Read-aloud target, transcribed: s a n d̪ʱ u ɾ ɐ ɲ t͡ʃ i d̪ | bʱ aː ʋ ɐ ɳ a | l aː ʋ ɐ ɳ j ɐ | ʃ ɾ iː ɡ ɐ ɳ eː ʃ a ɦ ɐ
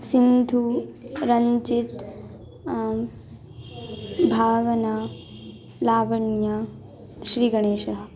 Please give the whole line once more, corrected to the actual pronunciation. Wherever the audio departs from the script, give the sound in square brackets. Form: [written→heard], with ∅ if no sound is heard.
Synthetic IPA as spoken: s [a→i] n d̪ʱ u ɾ ɐ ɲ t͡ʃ i [d̪→t̪] | bʱ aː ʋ ɐ [ɳ→n] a | l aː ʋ ɐ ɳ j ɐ | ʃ ɾ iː ɡ ɐ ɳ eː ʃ [a→ɐ] ɦ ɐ